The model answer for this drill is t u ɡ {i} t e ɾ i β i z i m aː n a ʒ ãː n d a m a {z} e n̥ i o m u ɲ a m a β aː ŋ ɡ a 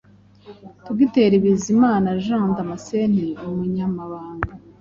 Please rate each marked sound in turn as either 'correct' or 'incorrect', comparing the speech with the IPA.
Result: correct, incorrect

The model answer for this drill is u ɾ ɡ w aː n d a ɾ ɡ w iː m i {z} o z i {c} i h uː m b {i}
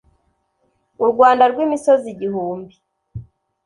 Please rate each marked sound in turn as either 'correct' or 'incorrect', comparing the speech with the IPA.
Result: incorrect, incorrect, correct

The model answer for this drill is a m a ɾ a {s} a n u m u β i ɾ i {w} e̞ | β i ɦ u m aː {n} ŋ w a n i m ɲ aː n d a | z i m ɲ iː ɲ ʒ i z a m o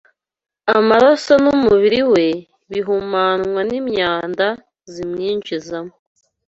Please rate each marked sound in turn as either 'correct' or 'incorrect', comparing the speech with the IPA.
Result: correct, correct, correct

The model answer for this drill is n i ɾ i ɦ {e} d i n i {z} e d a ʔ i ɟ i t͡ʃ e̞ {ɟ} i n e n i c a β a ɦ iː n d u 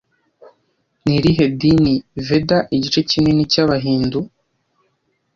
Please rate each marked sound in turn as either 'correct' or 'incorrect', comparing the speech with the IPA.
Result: correct, incorrect, incorrect

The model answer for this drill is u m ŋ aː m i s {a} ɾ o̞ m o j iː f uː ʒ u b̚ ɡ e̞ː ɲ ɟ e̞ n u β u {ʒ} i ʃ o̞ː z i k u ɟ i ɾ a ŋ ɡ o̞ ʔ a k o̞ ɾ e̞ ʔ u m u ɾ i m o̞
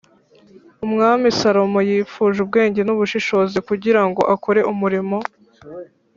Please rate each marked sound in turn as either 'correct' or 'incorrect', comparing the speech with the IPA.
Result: correct, incorrect

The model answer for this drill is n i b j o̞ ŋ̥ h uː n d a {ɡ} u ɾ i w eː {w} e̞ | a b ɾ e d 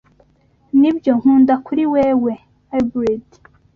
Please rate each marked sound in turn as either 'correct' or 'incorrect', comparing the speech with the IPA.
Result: incorrect, correct

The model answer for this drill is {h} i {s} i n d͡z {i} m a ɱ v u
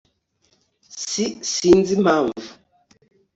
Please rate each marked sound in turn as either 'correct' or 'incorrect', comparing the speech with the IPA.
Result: incorrect, correct, correct

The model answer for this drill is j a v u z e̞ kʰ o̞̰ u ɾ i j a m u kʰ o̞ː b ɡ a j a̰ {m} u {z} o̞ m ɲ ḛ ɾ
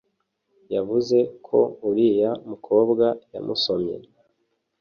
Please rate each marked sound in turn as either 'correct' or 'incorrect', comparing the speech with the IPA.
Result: correct, incorrect

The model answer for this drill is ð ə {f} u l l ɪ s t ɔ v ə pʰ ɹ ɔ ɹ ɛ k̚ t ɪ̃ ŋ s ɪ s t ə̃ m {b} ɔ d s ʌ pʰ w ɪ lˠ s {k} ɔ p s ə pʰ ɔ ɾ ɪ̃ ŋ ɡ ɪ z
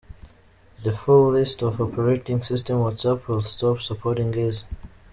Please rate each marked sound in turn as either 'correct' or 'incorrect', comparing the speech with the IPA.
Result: correct, incorrect, incorrect

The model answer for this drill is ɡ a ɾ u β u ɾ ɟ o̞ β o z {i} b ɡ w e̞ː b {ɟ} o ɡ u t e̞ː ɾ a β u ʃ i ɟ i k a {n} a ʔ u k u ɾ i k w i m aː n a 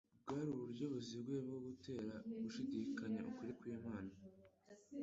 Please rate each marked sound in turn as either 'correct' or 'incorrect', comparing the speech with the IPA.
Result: correct, incorrect, incorrect

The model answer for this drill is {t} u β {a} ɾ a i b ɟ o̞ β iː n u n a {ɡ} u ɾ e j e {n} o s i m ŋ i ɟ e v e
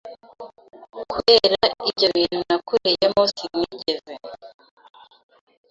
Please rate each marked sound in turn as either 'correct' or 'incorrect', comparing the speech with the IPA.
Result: incorrect, incorrect, incorrect, incorrect

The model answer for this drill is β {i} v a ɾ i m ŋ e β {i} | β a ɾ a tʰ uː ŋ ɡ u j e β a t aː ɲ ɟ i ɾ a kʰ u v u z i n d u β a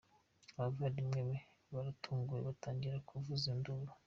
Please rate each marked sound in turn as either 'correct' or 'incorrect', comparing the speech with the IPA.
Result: incorrect, incorrect

